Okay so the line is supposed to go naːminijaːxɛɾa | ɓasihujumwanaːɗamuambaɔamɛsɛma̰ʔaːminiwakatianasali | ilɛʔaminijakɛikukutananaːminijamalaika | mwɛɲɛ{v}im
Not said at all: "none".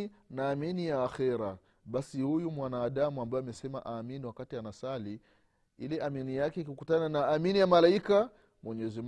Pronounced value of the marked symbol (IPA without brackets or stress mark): z